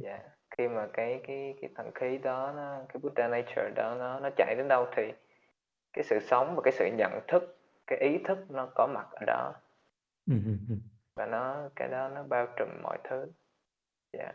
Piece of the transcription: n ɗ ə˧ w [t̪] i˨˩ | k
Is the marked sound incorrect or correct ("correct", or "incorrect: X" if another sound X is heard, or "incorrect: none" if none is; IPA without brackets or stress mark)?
incorrect: t̪ʰ